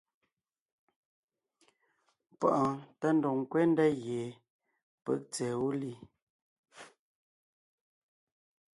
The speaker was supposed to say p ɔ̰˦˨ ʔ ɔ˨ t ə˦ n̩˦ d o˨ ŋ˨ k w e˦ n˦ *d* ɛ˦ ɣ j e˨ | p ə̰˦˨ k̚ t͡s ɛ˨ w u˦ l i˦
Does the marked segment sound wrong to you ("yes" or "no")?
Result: no